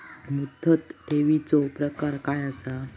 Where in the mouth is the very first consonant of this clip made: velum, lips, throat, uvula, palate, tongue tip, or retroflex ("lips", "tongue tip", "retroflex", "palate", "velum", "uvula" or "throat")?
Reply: lips